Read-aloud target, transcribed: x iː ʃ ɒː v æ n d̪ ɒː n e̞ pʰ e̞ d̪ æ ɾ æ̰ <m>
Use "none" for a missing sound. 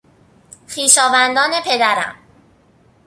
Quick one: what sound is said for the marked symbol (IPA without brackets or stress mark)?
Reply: m